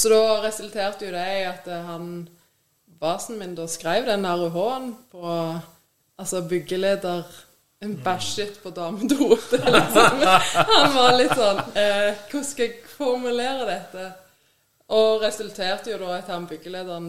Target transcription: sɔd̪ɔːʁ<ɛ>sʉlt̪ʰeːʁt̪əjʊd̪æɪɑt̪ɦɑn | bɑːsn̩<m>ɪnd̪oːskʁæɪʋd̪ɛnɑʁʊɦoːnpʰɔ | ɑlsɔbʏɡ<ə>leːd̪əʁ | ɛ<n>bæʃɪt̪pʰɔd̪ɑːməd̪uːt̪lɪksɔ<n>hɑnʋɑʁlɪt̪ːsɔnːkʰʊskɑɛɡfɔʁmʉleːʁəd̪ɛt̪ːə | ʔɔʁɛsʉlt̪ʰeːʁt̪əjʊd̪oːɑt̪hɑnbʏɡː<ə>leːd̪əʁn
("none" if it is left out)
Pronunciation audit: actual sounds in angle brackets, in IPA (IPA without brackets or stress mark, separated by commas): ɛ, m, ə, n, m, ə